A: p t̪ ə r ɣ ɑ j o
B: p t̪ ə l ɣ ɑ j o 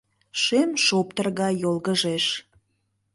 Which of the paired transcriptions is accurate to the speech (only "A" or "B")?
A